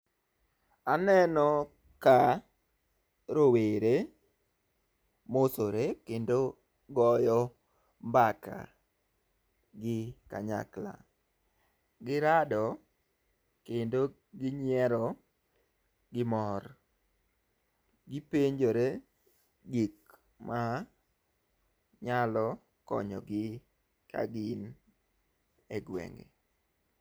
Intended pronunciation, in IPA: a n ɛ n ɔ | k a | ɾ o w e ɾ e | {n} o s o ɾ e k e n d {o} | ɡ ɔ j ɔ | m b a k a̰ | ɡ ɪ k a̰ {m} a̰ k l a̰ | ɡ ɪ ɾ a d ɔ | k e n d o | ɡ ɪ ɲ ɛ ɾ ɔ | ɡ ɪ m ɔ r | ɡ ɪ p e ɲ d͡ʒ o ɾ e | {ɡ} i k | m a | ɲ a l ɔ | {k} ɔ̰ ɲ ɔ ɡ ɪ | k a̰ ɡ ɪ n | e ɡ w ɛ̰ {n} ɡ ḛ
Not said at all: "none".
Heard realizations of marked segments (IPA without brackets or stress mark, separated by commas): m, o, ɲ, ɡ, k, ŋ